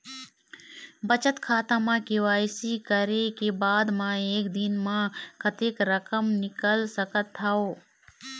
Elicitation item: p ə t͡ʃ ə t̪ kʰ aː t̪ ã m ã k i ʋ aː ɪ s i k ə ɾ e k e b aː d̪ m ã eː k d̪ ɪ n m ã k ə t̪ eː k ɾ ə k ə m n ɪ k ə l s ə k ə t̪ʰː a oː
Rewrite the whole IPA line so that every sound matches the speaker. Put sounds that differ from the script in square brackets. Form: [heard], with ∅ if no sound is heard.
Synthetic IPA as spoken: [b] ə t͡ʃ ə t̪ kʰ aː t̪ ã m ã k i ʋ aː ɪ s i k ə ɾ e k e b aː d̪ m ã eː k d̪ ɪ n m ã k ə t̪ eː k ɾ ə k ə m n ɪ k ə l s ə k ə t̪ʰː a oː